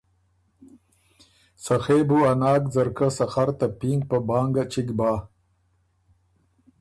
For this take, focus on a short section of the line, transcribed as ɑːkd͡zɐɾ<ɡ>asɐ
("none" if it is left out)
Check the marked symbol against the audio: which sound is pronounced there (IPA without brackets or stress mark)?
k